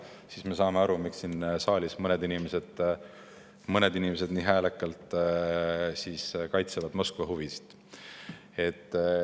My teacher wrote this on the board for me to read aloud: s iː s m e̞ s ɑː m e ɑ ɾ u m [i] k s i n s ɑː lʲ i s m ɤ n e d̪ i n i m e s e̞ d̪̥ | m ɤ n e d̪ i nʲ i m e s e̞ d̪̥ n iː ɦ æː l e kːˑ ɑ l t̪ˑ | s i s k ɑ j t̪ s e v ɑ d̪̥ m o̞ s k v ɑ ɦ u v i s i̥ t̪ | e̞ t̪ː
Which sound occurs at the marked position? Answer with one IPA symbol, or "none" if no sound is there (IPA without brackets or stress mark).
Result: i